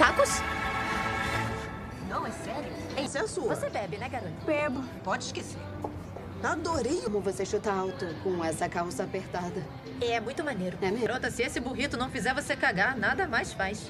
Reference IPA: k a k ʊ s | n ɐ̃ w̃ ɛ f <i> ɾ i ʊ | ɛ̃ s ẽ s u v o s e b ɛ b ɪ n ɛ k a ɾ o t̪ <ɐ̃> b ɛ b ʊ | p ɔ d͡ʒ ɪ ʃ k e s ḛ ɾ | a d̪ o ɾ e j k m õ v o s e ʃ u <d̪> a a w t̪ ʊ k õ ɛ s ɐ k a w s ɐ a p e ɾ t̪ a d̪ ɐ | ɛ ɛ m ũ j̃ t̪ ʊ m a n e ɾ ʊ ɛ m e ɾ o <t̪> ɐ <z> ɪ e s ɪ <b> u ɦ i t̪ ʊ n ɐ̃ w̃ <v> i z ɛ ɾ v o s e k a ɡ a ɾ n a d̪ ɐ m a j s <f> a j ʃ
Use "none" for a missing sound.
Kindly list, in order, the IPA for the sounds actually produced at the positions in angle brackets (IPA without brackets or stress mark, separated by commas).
ɛ, ɐ, t̪, t̪, s, b, f, f